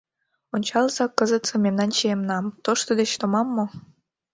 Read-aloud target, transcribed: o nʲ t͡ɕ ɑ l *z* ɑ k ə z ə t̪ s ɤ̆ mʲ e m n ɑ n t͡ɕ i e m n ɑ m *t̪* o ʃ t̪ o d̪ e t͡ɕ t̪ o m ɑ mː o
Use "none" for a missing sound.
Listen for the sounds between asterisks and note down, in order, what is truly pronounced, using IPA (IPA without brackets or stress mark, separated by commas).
z, t̪